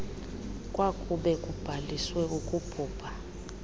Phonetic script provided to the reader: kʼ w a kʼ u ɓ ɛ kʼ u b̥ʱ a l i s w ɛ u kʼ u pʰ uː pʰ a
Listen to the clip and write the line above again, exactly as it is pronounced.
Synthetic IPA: kʼ w a kʼ u ɓ ɛ kʼ u b̥ʱ a l i s w ɛ u kʼ u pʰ uː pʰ a